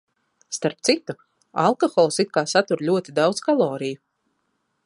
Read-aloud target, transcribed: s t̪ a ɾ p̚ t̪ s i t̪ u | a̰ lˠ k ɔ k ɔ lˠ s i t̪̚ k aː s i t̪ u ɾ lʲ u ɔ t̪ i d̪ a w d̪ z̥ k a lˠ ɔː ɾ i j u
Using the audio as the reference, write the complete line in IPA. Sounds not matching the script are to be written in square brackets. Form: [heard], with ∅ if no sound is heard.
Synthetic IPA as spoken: s t̪ a ɾ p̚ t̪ s i t̪ u | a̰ lˠ k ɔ [x] ɔ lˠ s i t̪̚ k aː s [a] t̪ u ɾ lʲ u ɔ t̪ i d̪ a w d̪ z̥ k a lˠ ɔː ɾ i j u